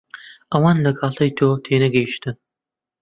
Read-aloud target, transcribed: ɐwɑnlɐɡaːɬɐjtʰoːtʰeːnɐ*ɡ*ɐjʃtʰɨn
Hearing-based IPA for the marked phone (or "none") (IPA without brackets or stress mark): ɡ